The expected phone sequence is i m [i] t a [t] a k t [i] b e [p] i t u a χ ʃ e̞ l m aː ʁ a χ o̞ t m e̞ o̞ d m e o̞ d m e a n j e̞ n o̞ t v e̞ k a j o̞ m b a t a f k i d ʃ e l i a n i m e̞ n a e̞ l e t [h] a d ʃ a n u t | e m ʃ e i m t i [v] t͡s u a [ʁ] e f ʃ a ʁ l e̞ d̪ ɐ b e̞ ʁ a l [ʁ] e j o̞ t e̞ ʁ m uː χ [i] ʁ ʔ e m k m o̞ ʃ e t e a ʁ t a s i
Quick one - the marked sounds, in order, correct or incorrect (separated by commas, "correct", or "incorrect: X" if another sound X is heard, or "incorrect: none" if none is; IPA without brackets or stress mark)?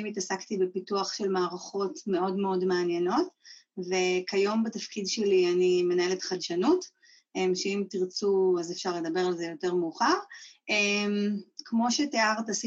correct, incorrect: s, correct, correct, incorrect: χ, incorrect: ʁ, incorrect: z, incorrect: z, incorrect: a